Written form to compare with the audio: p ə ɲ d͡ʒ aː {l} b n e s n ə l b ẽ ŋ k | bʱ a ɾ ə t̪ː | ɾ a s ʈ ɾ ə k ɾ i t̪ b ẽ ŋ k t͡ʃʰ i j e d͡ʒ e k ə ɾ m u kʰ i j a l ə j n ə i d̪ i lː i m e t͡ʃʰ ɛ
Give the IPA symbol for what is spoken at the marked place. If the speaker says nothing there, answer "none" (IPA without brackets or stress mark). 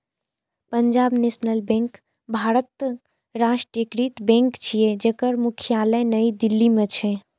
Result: none